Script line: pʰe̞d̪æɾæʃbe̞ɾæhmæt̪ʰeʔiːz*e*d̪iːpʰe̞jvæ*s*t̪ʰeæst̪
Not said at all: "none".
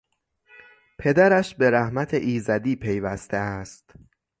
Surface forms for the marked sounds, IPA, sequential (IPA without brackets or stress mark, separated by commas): æ, s